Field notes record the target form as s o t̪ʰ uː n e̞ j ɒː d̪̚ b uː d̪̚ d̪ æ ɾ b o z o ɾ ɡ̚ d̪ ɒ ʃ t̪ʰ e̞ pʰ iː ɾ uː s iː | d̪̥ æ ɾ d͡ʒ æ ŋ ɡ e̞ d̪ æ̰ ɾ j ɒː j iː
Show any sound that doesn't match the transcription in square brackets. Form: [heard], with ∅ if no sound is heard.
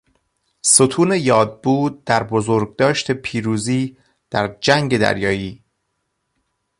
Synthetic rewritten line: s o t̪ʰ uː n e̞ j ɒː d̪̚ b uː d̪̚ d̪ æ ɾ b o z o ɾ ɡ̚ d̪ [ɒː] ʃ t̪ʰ e̞ pʰ iː ɾ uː [z] iː | d̪̥ æ ɾ d͡ʒ æ ŋ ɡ e̞ d̪ æ̰ ɾ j ɒː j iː